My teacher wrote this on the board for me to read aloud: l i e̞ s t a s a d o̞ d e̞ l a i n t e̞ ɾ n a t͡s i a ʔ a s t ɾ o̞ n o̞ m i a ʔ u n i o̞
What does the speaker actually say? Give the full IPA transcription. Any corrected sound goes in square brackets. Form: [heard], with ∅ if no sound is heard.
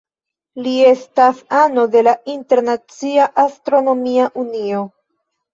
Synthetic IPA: l i e̞ s t a s a [n] o̞ d e̞ l a i n t e̞ ɾ n a t͡s i a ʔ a s t ɾ o̞ n o̞ m i a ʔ u n i o̞

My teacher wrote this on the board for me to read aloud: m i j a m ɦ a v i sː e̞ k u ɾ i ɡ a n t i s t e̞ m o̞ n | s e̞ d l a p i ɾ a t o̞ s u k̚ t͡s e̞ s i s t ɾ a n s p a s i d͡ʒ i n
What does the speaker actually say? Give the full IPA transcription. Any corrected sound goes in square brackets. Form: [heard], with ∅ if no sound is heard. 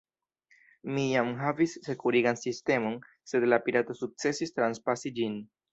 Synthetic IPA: m i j a m ɦ a v i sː e̞ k u ɾ i ɡ a n [s] i s t e̞ m o̞ n | s e̞ d l a p i ɾ a t o̞ s u k̚ t͡s e̞ s i s t ɾ a n s p a s i d͡ʒ i n

